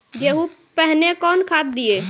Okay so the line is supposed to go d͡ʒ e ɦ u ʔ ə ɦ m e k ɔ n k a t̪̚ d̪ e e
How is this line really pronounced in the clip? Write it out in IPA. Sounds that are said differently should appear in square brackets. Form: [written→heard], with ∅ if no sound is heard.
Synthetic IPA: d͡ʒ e ɦ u [ʔ→p] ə ɦ [m→n] e k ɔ n [k→kʰ] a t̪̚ d̪ [e→i] e